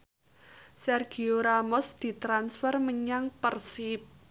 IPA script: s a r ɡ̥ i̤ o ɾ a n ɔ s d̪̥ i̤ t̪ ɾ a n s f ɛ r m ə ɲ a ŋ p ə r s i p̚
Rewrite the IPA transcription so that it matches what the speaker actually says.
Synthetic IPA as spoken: s ɛ r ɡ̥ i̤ o ɾ a m ɔ s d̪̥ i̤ t̪ ɾ a n s f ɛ r m ə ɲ a ŋ p ə r s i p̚